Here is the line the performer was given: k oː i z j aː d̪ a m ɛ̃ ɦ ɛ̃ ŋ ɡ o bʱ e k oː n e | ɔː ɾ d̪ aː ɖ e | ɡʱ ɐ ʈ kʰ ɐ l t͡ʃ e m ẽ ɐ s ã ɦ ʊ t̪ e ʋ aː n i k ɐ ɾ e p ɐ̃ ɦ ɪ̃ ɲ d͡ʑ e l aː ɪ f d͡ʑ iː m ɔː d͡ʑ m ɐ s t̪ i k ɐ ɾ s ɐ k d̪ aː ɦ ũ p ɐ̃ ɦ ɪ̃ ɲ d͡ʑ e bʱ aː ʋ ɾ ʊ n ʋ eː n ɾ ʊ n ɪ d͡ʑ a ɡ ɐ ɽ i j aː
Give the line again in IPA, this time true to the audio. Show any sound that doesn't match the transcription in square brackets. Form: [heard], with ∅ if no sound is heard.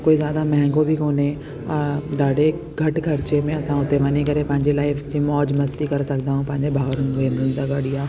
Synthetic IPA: k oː i z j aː d̪ a m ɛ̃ ɦ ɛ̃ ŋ ɡ o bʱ [i] k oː n e | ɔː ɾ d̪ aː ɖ e | ɡʱ ɐ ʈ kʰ ɐ [ɾ] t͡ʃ e m ẽ ɐ s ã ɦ ʊ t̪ e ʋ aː n i k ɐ ɾ e p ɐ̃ ɦ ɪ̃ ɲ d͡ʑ e l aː ɪ f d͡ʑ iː m ɔː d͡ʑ m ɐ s t̪ i k ɐ ɾ s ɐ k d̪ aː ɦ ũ p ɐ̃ ɦ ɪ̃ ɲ d͡ʑ e bʱ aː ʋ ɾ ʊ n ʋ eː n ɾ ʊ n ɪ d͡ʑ a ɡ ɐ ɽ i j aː

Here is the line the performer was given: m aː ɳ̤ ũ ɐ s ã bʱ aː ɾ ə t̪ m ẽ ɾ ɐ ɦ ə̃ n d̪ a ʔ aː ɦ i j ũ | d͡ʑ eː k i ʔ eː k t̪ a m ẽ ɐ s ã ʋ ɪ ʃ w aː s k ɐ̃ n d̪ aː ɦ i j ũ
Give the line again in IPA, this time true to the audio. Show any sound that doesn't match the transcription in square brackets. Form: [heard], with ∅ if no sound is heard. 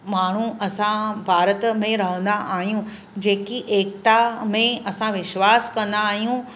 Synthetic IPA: m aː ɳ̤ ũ ɐ s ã bʱ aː ɾ ə t̪ m ẽ ɾ ɐ ɦ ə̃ n d̪ a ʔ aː ɦ i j ũ | d͡ʑ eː k i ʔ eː k t̪ a m ẽ ɐ s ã ʋ ɪ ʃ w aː s k ɐ̃ n d̪ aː ɦ i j ũ

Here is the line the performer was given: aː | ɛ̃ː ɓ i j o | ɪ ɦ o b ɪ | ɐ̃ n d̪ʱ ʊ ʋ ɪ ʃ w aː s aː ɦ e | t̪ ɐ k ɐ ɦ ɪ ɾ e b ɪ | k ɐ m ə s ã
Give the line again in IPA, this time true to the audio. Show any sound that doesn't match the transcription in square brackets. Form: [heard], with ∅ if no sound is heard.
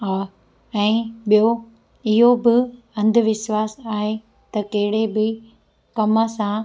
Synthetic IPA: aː | ɛ̃ː ɓ i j o | ɪ ɦ o b ɪ | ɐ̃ n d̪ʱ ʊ ʋ ɪ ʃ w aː s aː ɦ e | t̪ ɐ k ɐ ɦ ɪ [ɽ] e b ɪ | k ɐ m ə s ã

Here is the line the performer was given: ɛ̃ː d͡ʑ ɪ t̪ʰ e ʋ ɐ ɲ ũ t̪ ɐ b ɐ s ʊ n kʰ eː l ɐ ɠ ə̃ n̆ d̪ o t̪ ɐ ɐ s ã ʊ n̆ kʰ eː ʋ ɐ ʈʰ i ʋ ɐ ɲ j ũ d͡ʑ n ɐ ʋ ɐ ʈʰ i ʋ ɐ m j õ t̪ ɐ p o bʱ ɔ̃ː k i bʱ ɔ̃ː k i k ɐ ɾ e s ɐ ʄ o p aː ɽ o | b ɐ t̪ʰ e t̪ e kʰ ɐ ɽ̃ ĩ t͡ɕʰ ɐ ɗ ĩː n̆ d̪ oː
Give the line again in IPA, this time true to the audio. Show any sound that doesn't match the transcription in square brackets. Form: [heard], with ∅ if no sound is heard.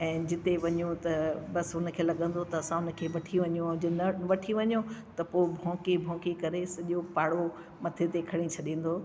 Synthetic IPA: ɛ̃ː d͡ʑ ɪ [t̪] e ʋ ɐ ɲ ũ t̪ ɐ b ɐ s ʊ n kʰ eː l ɐ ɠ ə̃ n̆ d̪ o t̪ ɐ ɐ s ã ʊ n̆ kʰ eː ʋ ɐ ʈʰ i ʋ ɐ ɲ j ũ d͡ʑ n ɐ ʋ ɐ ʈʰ i ʋ ɐ [ɲ] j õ t̪ ɐ p o bʱ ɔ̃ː k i bʱ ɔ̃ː k i k ɐ ɾ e s ɐ ʄ o p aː ɽ o | [m] ɐ t̪ʰ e t̪ e kʰ ɐ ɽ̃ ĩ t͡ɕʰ ɐ ɗ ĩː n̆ d̪ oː

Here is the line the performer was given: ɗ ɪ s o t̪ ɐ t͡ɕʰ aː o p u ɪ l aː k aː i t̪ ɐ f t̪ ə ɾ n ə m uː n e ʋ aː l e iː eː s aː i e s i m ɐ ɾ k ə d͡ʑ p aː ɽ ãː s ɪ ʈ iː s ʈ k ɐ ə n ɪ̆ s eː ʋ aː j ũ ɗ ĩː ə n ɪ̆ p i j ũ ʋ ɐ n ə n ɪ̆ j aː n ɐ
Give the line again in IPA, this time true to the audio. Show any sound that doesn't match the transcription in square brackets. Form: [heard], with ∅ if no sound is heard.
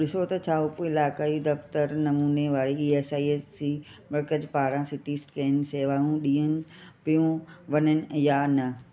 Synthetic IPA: ɗ ɪ s o t̪ ɐ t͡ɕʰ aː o p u ɪ l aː k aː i [d̪] ɐ f t̪ ə ɾ n [ɐ] m uː n e ʋ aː [ɾ] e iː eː s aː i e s i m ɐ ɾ k ə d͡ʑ p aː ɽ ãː s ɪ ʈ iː s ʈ k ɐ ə n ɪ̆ s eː ʋ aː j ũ ɗ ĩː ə n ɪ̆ p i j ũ ʋ ɐ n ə n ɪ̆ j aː n ɐ

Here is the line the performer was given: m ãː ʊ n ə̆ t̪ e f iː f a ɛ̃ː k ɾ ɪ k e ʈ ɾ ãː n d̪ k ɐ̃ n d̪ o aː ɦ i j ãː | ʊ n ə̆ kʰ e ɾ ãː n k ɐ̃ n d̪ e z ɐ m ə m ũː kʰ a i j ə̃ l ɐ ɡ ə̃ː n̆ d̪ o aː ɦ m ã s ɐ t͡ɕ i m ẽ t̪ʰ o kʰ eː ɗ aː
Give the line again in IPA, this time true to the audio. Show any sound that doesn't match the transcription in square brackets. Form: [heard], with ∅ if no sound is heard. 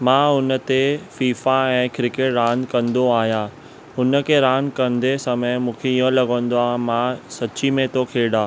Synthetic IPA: m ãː ʊ n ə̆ t̪ e f iː f a ɛ̃ː k ɾ ɪ k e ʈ ɾ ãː n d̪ k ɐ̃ n d̪ o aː ɦ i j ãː | ʊ n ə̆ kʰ e ɾ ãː n k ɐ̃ n d̪ e [s] ɐ m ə m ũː kʰ [e] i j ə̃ l ɐ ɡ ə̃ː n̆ d̪ o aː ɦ m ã s ɐ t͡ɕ i m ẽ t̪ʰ o kʰ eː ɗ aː

